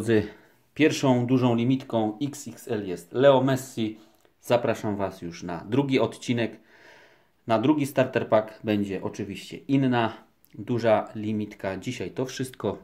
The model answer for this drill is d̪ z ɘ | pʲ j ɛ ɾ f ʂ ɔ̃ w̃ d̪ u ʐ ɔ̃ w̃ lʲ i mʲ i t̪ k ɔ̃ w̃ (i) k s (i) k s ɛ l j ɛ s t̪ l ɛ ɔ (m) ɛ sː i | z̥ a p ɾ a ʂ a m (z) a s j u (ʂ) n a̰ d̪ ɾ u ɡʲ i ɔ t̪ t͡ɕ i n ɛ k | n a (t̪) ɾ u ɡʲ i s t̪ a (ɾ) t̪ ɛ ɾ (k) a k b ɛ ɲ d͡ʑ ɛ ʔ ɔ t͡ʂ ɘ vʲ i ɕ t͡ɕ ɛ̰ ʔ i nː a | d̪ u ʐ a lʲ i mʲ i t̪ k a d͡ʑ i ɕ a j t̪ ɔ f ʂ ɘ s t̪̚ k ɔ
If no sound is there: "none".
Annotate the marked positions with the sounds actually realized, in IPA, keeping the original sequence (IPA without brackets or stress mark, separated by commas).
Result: i, i, m, v, ʂ, d̪, ɾ, p